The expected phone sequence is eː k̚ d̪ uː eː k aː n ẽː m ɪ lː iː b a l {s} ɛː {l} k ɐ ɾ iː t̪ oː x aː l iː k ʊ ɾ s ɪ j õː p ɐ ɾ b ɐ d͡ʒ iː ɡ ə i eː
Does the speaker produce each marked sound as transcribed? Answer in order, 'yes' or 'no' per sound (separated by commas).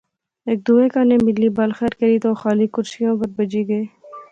no, no